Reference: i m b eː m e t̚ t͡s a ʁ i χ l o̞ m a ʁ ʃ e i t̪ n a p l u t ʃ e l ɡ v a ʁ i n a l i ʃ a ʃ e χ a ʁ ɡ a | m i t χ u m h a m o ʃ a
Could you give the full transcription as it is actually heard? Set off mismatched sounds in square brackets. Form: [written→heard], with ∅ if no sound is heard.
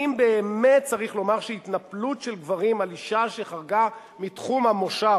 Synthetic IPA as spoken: i m b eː m e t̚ t͡s a ʁ i χ l o̞ m a ʁ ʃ e i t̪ n a p l u t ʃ e l ɡ v a ʁ i [n→m] a l i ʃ a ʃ e χ a ʁ ɡ a | m i t χ u m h a m o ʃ a